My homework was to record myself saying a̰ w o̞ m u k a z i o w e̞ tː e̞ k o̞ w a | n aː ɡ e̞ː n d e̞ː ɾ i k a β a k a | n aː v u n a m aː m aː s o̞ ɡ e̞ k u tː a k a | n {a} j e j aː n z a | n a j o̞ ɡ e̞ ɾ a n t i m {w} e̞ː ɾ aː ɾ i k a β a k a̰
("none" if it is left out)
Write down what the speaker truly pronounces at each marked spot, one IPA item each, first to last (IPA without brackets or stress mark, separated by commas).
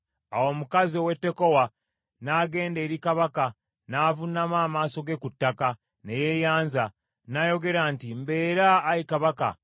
e, b